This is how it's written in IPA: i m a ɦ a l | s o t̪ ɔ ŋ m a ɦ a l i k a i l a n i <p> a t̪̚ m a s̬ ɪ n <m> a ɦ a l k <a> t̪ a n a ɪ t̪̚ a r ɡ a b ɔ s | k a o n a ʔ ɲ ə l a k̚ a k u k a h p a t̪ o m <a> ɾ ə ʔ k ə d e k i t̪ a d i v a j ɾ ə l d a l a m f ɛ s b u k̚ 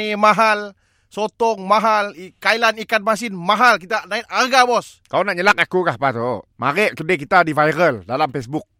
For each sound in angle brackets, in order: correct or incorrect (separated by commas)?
incorrect, correct, incorrect, correct